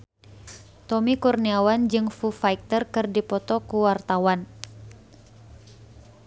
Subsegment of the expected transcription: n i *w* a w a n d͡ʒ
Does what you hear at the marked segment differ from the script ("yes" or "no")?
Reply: yes